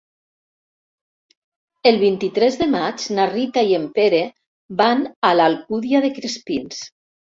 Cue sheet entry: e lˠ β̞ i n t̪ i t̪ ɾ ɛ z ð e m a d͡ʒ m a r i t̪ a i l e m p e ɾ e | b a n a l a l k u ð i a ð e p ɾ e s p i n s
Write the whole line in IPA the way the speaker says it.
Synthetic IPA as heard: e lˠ β̞ i n t̪ i t̪ ɾ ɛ z ð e m a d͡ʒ n a r i t̪ a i e m p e ɾ e | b a n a l a l k u ð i a ð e k ɾ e s p i n s